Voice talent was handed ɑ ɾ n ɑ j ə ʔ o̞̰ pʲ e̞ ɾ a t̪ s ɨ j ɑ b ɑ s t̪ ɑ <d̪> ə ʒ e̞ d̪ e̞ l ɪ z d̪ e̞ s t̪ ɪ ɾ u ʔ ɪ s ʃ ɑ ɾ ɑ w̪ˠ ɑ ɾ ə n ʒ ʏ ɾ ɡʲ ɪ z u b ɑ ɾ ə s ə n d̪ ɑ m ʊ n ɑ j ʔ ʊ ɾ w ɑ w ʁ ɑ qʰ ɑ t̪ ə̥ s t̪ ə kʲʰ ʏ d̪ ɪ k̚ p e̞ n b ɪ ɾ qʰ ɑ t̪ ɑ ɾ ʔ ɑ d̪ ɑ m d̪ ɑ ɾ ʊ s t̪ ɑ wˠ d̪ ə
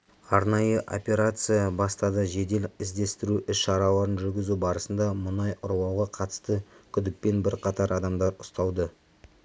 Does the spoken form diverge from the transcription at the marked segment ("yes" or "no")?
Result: no